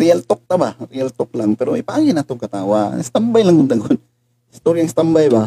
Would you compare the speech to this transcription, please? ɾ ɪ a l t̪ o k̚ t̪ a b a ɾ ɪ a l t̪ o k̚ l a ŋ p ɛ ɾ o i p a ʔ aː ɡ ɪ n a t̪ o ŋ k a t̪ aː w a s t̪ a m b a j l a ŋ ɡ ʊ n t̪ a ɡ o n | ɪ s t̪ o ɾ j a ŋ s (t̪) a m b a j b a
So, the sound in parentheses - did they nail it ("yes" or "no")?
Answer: yes